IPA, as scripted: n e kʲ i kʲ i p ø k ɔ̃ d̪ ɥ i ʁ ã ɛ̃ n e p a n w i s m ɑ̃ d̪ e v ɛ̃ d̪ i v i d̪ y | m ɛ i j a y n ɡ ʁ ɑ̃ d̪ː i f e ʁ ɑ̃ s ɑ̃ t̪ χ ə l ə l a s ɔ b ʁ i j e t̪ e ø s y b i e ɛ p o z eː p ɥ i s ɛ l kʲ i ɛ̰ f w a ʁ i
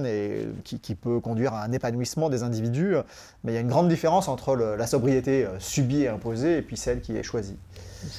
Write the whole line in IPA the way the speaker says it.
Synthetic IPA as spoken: n e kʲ i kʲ i p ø k ɔ̃ d̪ ɥ i ʁ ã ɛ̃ n e p a n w i s m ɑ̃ d̪ e z ɛ̃ d̪ i v i d̪ y | m ɛ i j a y n ɡ ʁ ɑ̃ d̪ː i f e ʁ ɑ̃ s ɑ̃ t̪ χ ə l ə l a s ɔ b ʁ i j e t̪ e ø s y b i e ɛ̃ p o z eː p ɥ i s ɛ l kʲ i ɛ̰ ʃ w a z i

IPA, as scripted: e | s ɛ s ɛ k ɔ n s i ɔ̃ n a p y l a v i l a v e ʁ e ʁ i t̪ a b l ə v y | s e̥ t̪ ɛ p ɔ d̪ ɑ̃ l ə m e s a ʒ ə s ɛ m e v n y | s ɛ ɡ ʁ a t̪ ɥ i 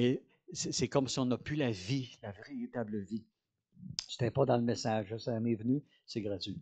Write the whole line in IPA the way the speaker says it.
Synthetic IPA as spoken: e | s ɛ s ɛ k ɔ m s i ɔ̃ n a p y l a v i l a v e ʁ e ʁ i t̪ a b l ə v i | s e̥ t̪ ɛ p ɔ d̪ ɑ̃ l ə m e s a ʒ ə s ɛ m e v n y | s ɛ ɡ ʁ a t̪ ɥ i

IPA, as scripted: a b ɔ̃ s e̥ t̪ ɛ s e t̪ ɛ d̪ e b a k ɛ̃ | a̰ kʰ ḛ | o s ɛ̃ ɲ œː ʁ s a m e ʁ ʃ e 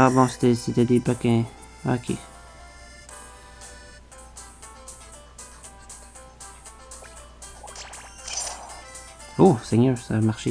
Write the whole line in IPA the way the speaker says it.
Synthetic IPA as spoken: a b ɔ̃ s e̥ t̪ ɛ s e t̪ ɛ d̪ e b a k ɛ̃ | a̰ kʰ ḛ | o s ɛ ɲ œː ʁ s a m a ʁ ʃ e

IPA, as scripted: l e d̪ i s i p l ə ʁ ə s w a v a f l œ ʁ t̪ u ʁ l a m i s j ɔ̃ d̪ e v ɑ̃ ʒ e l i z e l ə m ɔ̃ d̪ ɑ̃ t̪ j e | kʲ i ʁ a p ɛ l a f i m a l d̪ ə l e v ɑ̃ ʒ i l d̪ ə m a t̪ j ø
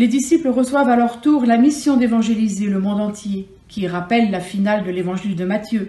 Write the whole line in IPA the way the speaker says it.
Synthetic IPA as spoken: l e d̪ i s i p l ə ʁ ə s w a v a l œ ʁ t̪ u ʁ l a m i s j ɔ̃ d̪ e v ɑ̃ ʒ e l i z e l ə m ɔ̃ d̪ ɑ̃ t̪ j e | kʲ i ʁ a p ɛ lː a f i n a l d̪ ə l e v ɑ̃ ʒ i l d̪ ə m a t̪ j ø

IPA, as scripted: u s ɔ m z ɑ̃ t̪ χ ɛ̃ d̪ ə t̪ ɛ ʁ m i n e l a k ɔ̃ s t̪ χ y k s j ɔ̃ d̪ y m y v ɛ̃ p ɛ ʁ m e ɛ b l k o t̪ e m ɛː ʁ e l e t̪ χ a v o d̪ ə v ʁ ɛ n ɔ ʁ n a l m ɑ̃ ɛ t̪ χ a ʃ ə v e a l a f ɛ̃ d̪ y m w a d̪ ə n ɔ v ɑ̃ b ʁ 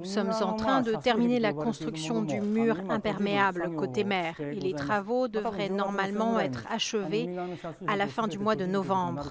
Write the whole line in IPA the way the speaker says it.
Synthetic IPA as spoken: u s ɔ m z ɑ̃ t̪ χ ɛ̃ d̪ ə t̪ ɛ ʁ m i n e l a k ɔ̃ s t̪ χ y k s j ɔ̃ d̪ y m y ʁ ɛ̃ p ɛ ʁ m e a b l k o t̪ e m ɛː ʁ e l e t̪ χ a v o d̪ ə v ʁ ɛ n ɔ ʁ m a l m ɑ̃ ɛ t̪ χ a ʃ ə v e a l a f ɛ̃ d̪ y m w a d̪ ə n ɔ v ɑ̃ b ʁ

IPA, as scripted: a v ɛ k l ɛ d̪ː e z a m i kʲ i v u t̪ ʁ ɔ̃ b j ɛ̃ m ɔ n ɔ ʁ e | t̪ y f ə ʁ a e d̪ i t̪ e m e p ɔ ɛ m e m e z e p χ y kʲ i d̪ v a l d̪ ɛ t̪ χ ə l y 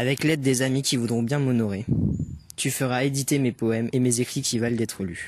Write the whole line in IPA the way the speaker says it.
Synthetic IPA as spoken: a v ɛ k l ɛ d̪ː e z a m i kʲ i v u d̪ ʁ ɔ̃ b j ɛ̃ m ɔ n ɔ ʁ e | t̪ y f ə ʁ a e d̪ i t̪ e m e p ɔ ɛ m e m e z e k χ i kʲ i v a l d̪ ɛ t̪ χ ə l y

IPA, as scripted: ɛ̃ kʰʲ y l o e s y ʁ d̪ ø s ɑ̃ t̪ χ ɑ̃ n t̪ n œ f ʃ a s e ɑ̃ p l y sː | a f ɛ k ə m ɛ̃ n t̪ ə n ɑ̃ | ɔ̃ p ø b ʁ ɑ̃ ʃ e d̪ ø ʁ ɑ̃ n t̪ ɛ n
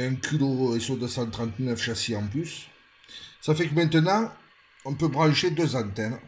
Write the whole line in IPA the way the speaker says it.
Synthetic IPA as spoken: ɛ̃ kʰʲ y l o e s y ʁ d̪ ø s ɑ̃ t̪ χ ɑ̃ n t̪ n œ f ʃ a s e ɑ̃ p l y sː | a f ɛ k ə m ɛ̃ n t̪ ə n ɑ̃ | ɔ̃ p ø b ʁ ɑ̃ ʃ e d̪ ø z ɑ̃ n t̪ ɛ n

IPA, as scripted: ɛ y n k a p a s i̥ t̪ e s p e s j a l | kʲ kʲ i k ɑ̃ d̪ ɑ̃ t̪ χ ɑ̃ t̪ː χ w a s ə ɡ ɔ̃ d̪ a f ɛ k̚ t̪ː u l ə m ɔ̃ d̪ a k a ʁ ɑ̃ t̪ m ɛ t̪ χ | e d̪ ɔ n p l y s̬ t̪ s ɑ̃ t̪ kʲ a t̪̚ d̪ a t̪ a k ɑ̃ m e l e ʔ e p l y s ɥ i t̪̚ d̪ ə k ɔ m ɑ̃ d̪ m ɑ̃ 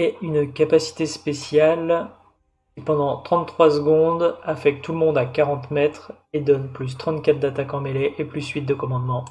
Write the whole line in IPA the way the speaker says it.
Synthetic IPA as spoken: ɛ y n k a p a s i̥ t̪ e s p e s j a l | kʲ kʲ i p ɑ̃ d̪ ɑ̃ t̪ χ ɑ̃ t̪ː χ w a s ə ɡ ɔ̃ d̪ a f ɛ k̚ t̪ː u l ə m ɔ̃ d̪ a k a ʁ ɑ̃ t̪ m ɛ t̪ χ | e d̪ ɔ n p l y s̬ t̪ χ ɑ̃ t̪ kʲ a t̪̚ d̪ a t̪ a k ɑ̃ m e l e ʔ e p l y s ɥ i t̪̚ d̪ ə k ɔ m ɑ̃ d̪ m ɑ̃

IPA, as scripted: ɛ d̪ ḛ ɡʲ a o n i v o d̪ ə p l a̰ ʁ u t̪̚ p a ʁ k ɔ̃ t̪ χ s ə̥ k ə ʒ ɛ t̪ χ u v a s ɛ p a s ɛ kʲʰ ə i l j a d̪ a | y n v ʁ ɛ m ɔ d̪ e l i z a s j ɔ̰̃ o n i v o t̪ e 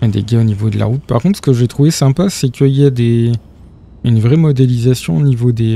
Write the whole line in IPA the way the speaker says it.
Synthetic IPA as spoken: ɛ d̪ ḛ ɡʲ a o n i v o d̪ ə l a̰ ʁ u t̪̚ p a ʁ k ɔ̃ t̪ χ s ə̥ k ə ʒ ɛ t̪ χ u v e s ɛ̃ p a s ɛ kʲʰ ə i l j a d̪ e | y n v ʁ ɛ m ɔ d̪ e l i z a s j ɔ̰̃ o n i v o d̪ e

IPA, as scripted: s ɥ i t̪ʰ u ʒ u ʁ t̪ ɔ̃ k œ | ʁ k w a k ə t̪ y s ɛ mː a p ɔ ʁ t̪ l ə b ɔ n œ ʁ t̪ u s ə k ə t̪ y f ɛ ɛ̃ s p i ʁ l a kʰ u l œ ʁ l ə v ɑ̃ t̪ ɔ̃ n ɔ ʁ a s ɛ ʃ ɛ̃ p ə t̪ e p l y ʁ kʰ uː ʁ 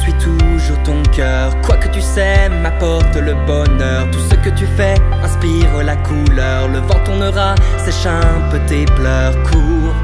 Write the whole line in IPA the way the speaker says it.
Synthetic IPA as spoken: s ɥ i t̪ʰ u ʒ u ʁ t̪ ɔ̃ k œ | ʁ k w a k ə t̪ y s ɛ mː a p ɔ ʁ t̪ l ə b ɔ n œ ʁ t̪ u s ə k ə t̪ y f ɛ ɛ̃ s p i ʁ l a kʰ u l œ ʁ l ə v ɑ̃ t̪ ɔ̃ n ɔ ʁ a s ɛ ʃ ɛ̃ p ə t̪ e p l œ ʁ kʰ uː ʁ

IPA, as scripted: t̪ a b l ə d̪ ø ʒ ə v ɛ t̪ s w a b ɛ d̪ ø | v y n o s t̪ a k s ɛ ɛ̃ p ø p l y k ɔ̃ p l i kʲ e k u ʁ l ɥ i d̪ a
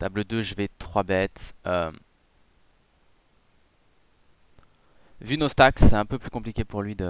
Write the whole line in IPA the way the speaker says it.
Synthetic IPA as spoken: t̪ a b l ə d̪ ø ʒ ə v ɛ t̪ χ w a b ɛ t̪ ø | v y n o s t̪ a k s ɛ ɛ̃ p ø p l y k ɔ̃ p l i kʲ e p u ʁ l ɥ i d̪ ə

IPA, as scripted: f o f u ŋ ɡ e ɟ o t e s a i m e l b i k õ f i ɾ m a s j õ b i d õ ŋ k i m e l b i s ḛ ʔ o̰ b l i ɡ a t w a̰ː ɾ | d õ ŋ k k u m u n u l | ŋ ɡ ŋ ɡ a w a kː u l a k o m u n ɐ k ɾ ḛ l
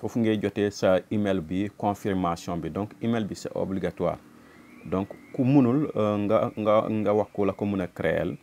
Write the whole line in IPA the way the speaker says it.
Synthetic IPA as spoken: f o f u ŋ ɡ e ɟ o t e s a i m e l b i k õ f i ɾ m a s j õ b i d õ ŋ k i m e l b i s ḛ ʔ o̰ b l i ɡ a t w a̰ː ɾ | d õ ŋ k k u m u n u l | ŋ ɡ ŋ ɡ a w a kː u l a k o m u n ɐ k ɾ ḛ l

